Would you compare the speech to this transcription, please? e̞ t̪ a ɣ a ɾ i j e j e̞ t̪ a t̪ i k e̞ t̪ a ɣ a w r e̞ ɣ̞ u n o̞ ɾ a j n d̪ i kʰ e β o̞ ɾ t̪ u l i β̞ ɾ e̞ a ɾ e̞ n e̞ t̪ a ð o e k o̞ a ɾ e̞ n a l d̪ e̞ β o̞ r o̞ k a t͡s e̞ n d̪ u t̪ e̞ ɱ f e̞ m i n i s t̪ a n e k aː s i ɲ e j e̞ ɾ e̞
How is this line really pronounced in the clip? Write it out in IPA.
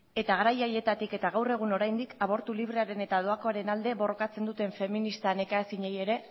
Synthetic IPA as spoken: e̞ t̪ a ɣ a ɾ a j a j e̞ t̪ a t̪ i k e̞ t̪ a ɣ a w r e̞ ɣ̞ u n o̞ ɾ a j n d̪ i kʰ a β o̞ ɾ t̪ u l i β̞ ɾ e̞ a ɾ e̞ n e̞ t̪ a ð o a k o̞ a ɾ e̞ n a l d̪ e̞ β o̞ r o̞ k a t͡s e̞ n d̪ u t̪ e̞ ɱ f e̞ m i n i s t̪ a n e k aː s i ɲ e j e̞ ɾ e̞

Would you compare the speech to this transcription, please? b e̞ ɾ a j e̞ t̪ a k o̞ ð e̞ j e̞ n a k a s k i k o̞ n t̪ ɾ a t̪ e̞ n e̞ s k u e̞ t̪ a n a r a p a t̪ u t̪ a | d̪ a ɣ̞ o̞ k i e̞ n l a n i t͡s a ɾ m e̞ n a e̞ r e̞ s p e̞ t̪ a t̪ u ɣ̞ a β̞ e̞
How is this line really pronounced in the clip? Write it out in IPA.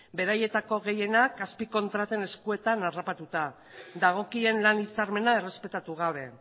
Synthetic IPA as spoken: b e̞ ɾ a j e̞ t̪ a k o̞ ɣ e̞ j e̞ n a k a s p i k o̞ n t̪ ɾ a t̪ e̞ n e̞ s k u e̞ t̪ a n a r a p a t̪ u t̪ a | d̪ a ɣ̞ o̞ k i e̞ n l a n i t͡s a ɾ m e̞ n a e̞ r e̞ s p e̞ t̪ a t̪ u ɣ̞ a β̞ e̞

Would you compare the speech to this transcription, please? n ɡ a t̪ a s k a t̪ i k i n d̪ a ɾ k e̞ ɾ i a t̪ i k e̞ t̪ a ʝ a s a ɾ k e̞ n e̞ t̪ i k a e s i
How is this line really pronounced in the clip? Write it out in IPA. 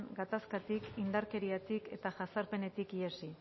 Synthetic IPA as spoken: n ɡ a t̪ a s k a t̪ i k i n d̪ a ɾ k e̞ ɾ i a t̪ i k e̞ t̪ a ʝ a s a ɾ p e̞ n e̞ t̪ i k i e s i

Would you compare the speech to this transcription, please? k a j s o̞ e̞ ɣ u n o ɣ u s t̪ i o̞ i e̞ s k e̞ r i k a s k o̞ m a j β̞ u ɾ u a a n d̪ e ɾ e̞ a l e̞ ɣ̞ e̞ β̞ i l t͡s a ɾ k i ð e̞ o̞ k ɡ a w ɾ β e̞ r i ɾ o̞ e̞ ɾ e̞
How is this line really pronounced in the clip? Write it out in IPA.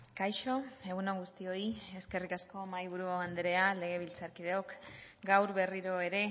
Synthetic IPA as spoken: k a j ʃ o̞ e̞ ɣ u n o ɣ u s t̪ i o̞ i e̞ s k e̞ r i k a s k o̞ m a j β̞ u ɾ u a a n d̪ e ɾ e̞ a l e̞ ɣ̞ e̞ β̞ i l t͡s a ɾ k i ð e̞ o̞ k ɡ a w ɾ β e̞ r i ɾ o̞ e̞ ɾ e̞

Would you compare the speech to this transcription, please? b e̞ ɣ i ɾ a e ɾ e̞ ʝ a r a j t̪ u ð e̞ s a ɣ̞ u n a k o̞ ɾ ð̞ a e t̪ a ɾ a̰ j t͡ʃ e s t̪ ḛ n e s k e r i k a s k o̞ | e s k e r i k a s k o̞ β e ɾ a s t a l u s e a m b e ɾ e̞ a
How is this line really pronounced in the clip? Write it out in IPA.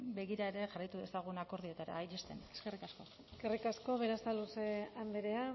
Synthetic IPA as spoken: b e̞ ɣ i ɾ a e ɾ e̞ ʝ a r a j t̪ u ð e̞ s a ɣ̞ u n a k o̞ ɾ ð̞ i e t̪ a ɾ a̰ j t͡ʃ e s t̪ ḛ n e s k e r i k a s k o̞ | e s k e r i k a s k o̞ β e ɾ a s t a l u s e a m b e ɾ e̞ a

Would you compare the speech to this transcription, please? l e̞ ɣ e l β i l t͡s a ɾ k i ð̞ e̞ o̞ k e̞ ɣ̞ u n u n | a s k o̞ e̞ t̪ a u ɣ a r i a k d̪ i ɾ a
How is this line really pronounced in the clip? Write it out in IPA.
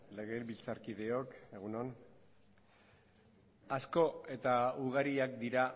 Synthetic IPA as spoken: l e̞ ɣ e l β i l t͡s a ɾ k i ð̞ e̞ o̞ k e̞ ɣ̞ u n o n | a s k o̞ e̞ t̪ a u ɣ a ɾ i a k d̪ i ɾ a

